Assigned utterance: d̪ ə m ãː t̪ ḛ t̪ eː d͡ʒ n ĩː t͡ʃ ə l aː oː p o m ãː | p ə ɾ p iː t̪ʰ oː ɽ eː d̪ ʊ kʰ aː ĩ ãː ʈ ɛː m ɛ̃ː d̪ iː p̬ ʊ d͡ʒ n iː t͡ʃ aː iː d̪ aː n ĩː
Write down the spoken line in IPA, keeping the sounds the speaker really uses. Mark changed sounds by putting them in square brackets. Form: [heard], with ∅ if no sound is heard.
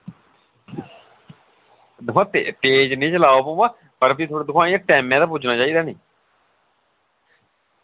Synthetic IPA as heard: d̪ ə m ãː t̪ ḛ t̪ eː d͡ʒ n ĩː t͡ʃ ə l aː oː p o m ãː | p ə ɾ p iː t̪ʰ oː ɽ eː d̪ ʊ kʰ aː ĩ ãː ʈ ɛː m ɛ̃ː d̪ [aː] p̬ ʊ d͡ʒ n [aː] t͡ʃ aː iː d̪ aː n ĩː

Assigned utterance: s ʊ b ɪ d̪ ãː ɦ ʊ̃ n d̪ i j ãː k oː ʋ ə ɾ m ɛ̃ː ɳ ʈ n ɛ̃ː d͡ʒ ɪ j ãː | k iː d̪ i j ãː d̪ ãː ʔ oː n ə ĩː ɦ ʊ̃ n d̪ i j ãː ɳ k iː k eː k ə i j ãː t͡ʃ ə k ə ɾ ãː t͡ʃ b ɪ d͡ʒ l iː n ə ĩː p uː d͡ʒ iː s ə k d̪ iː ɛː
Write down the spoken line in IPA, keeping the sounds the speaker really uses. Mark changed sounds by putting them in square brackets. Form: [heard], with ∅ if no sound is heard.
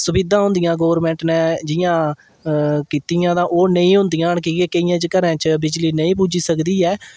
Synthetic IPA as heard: s ʊ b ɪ d̪ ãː ɦ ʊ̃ n d̪ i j ãː [ɡ] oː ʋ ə ɾ m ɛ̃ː ɳ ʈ n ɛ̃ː d͡ʒ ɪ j ãː | k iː [t̪] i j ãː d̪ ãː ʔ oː n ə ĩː ɦ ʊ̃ n d̪ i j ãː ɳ k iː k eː k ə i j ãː t͡ʃ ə k ə ɾ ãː t͡ʃ b ɪ d͡ʒ l iː n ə ĩː p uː d͡ʒ iː s ə k d̪ iː ɛː

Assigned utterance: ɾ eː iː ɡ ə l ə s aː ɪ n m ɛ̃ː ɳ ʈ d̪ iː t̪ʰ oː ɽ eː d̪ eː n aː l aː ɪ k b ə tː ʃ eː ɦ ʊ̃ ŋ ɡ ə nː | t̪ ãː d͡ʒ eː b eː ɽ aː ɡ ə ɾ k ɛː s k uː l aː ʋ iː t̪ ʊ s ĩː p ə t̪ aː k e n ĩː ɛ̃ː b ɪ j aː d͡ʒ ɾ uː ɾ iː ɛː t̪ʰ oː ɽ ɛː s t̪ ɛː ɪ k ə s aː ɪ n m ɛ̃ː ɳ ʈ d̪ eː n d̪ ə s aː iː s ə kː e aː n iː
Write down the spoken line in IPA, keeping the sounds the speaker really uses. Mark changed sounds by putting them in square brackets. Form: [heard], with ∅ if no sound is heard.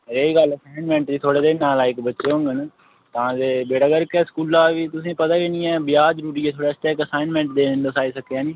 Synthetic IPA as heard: ɾ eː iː ɡ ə l ə s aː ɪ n m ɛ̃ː ɳ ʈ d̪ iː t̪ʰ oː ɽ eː d̪ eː n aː l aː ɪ k b ə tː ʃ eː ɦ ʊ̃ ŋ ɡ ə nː | t̪ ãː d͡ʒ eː b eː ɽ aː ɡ ə ɾ k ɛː s k uː l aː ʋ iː t̪ ʊ s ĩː p ə t̪ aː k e n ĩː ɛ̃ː b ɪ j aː d͡ʒ ɾ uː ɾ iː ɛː t̪ʰ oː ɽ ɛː s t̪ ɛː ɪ k ə s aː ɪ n m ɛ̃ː ɳ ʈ d̪ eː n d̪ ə s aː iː s ə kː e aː n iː

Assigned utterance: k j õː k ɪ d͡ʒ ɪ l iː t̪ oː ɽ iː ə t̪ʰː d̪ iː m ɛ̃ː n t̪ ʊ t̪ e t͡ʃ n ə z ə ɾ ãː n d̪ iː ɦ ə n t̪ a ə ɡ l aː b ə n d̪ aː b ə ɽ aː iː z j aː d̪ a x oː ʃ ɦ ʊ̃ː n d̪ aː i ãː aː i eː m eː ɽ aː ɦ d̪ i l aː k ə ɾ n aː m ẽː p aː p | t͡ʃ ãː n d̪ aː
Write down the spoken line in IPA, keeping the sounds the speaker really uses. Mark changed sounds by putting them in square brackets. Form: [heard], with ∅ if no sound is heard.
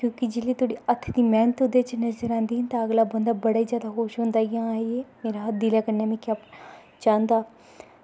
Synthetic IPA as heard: k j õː k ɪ d͡ʒ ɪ l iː t̪ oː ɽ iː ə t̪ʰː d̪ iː m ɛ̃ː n t̪ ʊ [d̪] e t͡ʃ n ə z ə ɾ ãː n d̪ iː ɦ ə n t̪ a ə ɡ l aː b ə n d̪ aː b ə ɽ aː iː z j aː d̪ a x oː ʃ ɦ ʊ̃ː n d̪ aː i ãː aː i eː m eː [ɾ] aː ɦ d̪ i l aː k ə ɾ n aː m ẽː [k] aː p | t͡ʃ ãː n d̪ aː

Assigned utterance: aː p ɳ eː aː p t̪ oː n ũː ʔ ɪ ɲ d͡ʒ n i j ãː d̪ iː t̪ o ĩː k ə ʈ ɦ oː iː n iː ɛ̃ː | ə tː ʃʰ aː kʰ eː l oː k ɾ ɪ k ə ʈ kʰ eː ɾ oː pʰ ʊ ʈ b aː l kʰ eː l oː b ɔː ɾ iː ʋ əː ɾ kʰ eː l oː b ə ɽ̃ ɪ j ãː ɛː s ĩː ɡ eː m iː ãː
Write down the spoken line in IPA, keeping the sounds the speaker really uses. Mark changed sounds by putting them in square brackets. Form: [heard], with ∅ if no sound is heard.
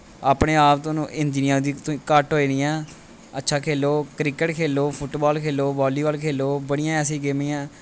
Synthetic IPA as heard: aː p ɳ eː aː p t̪ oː n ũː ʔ ɪ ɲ d͡ʒ n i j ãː d̪ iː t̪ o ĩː k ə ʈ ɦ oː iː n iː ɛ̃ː | ə tː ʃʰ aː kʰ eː l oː k ɾ ɪ k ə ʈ kʰ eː [l] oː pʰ ʊ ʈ b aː l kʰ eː l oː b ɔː [l] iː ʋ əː [l] kʰ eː l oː b ə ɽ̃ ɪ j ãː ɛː s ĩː ɡ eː m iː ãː

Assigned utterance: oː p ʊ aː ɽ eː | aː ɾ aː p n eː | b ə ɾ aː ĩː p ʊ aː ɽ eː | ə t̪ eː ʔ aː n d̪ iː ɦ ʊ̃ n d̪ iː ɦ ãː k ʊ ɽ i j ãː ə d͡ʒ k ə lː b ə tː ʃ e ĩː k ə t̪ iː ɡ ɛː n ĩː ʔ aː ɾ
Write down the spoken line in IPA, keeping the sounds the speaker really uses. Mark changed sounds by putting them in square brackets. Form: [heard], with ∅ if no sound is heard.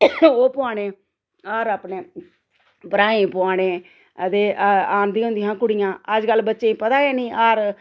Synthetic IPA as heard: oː p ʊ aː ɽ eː | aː ɾ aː p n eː | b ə ɾ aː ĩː p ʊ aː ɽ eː | ə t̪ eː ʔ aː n d̪ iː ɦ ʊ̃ n d̪ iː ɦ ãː k ʊ ɽ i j ãː ə d͡ʒ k ə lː b ə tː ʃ e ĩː [p] ə t̪ [aː] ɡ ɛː n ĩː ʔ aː ɾ

